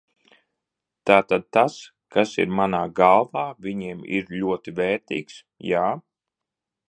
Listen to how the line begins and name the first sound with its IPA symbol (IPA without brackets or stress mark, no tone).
t̪